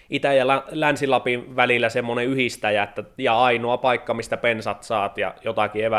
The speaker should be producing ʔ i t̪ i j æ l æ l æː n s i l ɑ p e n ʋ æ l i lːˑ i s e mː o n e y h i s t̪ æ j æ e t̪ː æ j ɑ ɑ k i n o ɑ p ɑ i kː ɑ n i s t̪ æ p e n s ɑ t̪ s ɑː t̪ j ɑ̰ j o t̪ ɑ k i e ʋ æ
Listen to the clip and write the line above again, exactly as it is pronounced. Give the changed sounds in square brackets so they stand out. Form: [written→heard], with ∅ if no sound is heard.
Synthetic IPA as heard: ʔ i t̪ [i→æ] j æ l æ l [æː→æ] n s i l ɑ p [e→i] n ʋ æ l i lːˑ [i→æ] s e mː o n e y h i s t̪ æ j æ e t̪ː æ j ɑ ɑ [k→∅] i n o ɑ p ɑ i kː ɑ [n→m] i s t̪ æ p e n s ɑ t̪ s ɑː t̪ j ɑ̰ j o t̪ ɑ k i e ʋ æ